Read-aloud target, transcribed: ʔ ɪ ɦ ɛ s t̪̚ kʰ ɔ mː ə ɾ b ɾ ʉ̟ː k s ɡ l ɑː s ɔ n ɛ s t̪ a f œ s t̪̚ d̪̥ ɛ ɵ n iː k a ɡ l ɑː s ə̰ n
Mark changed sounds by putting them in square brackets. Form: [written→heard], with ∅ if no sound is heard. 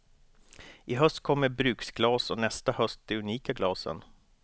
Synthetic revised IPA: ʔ ɪ ɦ [ɛ→œ] s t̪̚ kʰ ɔ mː ə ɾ b ɾ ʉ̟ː k s ɡ l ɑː s ɔ n ɛ s t̪ a [f→h] œ s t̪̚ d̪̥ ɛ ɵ n iː k a ɡ l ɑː s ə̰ n